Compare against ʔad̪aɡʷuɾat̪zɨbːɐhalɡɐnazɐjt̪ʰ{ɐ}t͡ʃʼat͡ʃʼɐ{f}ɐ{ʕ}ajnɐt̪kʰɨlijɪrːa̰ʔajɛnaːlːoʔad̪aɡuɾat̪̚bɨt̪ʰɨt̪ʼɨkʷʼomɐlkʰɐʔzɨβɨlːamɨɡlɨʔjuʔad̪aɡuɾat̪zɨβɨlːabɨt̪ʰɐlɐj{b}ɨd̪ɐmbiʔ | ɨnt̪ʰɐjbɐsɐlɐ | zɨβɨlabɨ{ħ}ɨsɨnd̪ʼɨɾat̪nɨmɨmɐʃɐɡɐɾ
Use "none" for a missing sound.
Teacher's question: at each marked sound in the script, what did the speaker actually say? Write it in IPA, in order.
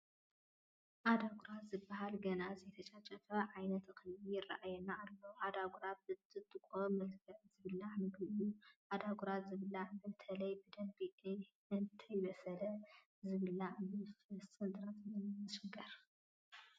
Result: ɐ, f, ʕ, b, f

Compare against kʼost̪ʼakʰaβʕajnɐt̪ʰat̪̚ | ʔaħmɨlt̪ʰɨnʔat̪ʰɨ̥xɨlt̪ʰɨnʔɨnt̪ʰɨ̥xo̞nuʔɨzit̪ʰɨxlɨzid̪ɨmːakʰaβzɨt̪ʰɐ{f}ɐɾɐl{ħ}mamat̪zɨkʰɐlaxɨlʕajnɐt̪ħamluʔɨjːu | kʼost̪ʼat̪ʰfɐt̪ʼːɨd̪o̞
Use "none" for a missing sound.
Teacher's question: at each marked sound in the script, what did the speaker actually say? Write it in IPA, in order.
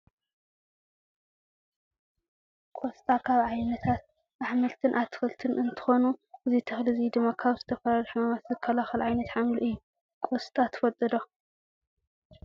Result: f, ħ

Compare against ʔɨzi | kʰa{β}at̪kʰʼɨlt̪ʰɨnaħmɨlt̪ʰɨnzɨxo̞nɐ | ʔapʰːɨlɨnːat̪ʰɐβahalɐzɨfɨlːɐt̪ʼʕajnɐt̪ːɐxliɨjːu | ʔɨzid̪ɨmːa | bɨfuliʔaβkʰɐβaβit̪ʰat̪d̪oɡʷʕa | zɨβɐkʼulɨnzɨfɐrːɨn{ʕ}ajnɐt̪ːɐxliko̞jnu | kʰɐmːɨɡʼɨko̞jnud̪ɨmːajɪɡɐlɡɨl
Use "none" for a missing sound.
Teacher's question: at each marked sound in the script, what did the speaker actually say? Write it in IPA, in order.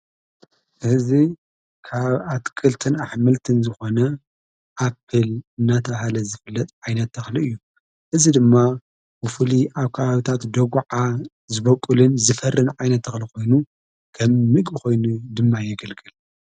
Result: β, ʕ

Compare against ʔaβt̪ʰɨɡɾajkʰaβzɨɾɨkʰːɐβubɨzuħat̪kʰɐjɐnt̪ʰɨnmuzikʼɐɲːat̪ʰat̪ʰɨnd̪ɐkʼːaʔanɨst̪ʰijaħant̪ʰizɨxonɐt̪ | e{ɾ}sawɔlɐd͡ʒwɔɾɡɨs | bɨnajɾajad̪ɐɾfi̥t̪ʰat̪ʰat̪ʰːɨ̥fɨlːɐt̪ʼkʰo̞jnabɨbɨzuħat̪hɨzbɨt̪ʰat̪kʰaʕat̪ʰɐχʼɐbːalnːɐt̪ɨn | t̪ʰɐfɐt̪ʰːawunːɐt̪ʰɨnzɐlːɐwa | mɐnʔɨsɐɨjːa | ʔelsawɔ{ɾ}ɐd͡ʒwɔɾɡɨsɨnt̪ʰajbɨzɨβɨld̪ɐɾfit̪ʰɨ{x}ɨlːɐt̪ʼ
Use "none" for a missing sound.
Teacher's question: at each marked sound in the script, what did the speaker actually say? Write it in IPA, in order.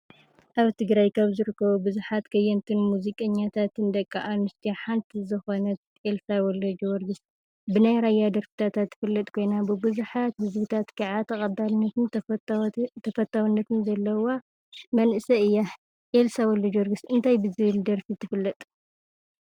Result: l, l, f

